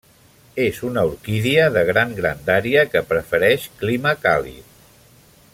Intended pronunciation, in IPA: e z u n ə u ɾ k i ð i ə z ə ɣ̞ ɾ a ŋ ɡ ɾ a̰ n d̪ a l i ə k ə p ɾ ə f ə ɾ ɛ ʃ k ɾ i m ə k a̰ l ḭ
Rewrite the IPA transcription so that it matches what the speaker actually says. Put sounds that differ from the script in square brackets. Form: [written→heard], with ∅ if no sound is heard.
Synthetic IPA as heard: e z u n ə u ɾ k i ð i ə [z→ð] ə ɣ̞ ɾ a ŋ ɡ ɾ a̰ n d̪ a [l→ɾ] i ə k ə p ɾ ə f ə ɾ ɛ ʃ k [ɾ→l] i m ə k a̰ l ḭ